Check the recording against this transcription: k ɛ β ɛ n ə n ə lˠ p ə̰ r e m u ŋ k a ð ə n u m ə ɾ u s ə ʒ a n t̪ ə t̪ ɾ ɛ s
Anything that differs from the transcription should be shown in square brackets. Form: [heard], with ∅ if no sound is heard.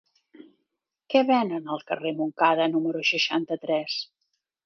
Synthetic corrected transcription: k ɛ β ɛ n ə n ə lˠ [k] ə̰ r e m u ŋ k a ð ə n u m ə ɾ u [ʃ] ə [ʃ] a n t̪ ə t̪ ɾ ɛ s